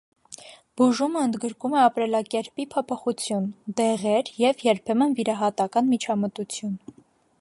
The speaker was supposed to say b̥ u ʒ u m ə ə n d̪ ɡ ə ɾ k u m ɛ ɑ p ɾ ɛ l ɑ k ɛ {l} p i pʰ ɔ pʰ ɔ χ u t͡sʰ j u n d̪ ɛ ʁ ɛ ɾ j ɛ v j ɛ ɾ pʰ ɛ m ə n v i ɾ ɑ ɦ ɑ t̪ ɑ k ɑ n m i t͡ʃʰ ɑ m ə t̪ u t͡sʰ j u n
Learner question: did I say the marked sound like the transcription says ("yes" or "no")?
no